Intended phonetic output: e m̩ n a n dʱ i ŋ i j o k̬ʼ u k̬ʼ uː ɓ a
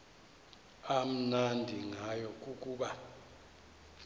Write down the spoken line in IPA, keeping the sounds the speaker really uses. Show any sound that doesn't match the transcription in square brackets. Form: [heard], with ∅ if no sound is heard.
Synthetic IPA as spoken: [a] m̩ n a n dʱ i ŋ [a] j [ɔ] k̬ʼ u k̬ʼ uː ɓ a